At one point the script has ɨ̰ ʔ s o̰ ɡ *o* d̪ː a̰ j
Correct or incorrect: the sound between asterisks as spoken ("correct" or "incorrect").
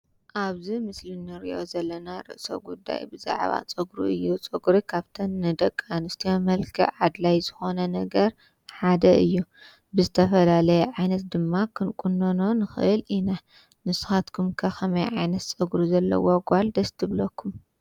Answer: incorrect